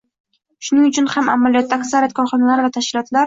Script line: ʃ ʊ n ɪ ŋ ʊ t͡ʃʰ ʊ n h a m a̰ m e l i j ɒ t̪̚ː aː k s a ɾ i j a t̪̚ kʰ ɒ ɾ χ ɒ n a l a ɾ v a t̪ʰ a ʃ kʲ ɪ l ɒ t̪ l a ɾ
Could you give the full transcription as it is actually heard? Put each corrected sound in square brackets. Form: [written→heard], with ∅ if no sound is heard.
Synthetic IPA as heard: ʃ ʊ n ɪ ŋ ʊ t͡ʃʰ ʊ n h a m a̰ m [e→a] l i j ɒ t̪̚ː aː k s a ɾ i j a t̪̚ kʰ ɒ ɾ χ ɒ n a l a ɾ v a t̪ʰ a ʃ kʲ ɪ l ɒ t̪ l a ɾ

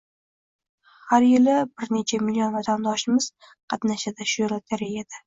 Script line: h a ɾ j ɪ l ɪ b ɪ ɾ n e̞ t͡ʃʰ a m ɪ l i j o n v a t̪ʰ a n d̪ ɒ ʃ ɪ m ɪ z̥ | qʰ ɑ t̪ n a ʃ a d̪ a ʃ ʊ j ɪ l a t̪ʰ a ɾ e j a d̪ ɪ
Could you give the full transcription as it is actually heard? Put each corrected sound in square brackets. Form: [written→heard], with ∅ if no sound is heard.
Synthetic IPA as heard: h a ɾ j ɪ l ɪ b ɪ ɾ n e̞ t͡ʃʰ a m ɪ l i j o n v a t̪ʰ a n d̪ ɒ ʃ ɪ m ɪ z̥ | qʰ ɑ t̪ n a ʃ a d̪ a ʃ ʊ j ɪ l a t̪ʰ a ɾ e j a d̪ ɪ

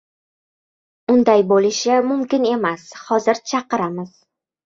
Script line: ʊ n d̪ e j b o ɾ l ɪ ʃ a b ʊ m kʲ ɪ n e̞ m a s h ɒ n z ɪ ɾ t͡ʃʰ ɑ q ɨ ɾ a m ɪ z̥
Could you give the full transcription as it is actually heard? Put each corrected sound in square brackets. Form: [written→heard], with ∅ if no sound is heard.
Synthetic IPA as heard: ʊ n d̪ [e→a] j b o [ɾ→∅] l ɪ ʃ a [b→m] ʊ m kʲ ɪ n e̞ m a s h ɒ [n→∅] z ɪ ɾ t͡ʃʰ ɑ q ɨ ɾ a m ɪ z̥

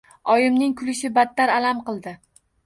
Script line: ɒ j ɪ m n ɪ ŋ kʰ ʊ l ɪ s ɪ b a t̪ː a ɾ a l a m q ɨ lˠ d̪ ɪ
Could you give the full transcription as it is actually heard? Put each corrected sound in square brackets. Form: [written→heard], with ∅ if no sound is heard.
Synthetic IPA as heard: ɒ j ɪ m n ɪ ŋ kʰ ʊ l ɪ [s→ʃ] ɪ b a t̪ː a ɾ a l a m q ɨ lˠ d̪ ɪ

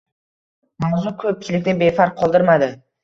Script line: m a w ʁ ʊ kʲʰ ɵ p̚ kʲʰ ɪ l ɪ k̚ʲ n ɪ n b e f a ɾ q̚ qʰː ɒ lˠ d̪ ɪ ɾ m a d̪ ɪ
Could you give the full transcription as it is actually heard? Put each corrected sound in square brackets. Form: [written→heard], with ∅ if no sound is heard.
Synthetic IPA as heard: m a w [ʁ→z] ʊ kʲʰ ɵ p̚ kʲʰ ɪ l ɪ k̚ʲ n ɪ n b e f a ɾ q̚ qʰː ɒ lˠ d̪ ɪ ɾ m a d̪ ɪ

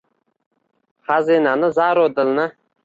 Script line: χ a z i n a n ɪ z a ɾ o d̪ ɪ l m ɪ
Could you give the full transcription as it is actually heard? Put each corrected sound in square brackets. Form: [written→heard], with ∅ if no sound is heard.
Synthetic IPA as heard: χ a z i n a n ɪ z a ɾ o d̪ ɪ l [m→n] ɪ

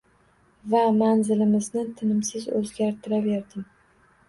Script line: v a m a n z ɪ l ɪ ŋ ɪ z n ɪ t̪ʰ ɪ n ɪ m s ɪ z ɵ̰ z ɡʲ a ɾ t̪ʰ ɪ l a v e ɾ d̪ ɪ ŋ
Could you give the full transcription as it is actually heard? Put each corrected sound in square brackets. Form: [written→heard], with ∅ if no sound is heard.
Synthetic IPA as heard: v a m a n z ɪ l ɪ [ŋ→m] ɪ z n ɪ t̪ʰ ɪ n ɪ m s ɪ z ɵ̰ z ɡʲ a ɾ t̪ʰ ɪ [l→ɾ] a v e ɾ d̪ ɪ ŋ

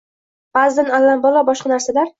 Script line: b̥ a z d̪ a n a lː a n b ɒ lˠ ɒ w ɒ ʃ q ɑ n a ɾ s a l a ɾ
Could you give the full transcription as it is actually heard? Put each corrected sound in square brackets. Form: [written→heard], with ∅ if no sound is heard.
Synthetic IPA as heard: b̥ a z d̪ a n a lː a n b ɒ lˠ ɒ [w→b] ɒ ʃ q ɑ n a ɾ s a l a ɾ

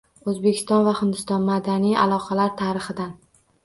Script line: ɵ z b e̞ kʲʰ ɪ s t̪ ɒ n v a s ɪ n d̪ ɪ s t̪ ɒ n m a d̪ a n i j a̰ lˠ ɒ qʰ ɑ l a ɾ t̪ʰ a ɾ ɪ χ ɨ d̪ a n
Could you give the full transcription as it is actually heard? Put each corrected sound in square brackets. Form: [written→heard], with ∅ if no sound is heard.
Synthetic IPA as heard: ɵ z b e̞ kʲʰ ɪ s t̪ ɒ n v a [s→h] ɪ n d̪ ɪ s t̪ ɒ n m a d̪ a n i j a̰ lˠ ɒ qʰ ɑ l a ɾ t̪ʰ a ɾ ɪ χ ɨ d̪ a n

